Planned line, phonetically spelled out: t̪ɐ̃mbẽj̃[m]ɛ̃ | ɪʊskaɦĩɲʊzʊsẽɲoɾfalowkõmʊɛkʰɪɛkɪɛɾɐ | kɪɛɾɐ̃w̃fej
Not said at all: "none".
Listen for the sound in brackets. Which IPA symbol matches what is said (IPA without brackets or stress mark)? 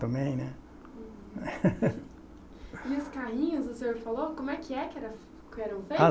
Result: n